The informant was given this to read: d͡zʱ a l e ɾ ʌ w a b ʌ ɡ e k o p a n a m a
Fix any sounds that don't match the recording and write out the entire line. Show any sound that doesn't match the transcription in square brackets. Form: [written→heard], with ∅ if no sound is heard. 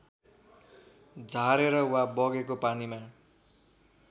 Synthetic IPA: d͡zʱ a [l→ɾ] e ɾ ʌ w a b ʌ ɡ e k o p a n [a→i] m a